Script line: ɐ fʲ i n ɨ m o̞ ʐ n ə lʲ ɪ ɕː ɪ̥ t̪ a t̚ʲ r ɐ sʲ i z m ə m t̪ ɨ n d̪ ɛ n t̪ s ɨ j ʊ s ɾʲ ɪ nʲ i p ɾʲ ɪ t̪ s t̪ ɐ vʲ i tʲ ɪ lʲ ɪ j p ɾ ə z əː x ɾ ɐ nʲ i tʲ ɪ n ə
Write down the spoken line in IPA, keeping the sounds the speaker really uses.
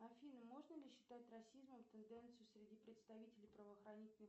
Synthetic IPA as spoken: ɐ fʲ i n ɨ m o̞ ʐ n ə lʲ ɪ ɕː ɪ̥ t̪ a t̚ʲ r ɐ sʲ i z m ə m t̪ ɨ n d̪ ɛ n t̪ s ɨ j ʊ s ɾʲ ɪ dʲ i p ɾʲ ɪ t̪ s t̪ ɐ vʲ i tʲ ɪ lʲ ɪ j p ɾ ə v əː x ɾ ɐ nʲ i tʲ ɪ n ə